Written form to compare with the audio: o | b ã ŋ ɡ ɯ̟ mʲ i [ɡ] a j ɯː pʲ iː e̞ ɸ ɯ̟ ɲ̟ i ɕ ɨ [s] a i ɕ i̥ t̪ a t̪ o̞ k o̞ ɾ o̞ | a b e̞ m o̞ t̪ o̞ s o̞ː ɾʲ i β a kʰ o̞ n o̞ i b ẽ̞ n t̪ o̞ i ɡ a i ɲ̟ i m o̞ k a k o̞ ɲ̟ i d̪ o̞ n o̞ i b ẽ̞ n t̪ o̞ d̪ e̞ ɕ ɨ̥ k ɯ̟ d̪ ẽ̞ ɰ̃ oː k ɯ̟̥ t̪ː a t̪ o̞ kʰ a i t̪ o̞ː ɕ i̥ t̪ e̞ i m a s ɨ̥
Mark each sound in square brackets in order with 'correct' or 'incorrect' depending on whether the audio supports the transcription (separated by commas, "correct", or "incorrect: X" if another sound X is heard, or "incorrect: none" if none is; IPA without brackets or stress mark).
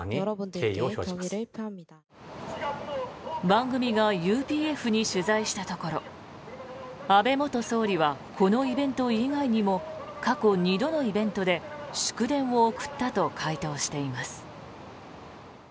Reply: correct, incorrect: z